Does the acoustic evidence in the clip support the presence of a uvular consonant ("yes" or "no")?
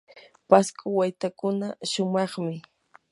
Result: yes